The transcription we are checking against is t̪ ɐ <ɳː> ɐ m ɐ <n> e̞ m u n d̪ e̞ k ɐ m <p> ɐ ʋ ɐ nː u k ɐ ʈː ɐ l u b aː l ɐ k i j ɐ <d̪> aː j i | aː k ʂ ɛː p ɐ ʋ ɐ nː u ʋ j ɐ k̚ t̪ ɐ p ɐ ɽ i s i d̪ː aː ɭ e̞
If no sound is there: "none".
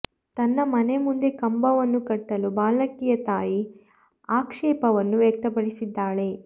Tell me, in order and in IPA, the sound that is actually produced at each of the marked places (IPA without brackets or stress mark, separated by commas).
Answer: nː, n, b, t̪